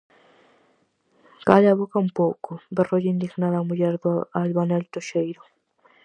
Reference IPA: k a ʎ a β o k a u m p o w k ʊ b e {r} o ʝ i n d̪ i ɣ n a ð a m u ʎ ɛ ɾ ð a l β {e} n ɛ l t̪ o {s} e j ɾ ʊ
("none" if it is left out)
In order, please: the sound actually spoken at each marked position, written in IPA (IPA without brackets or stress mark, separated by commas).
r, a, ʃ